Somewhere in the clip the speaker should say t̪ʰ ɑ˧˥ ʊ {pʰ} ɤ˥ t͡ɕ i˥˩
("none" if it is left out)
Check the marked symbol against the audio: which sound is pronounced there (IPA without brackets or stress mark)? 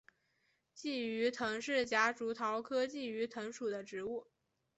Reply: kʰ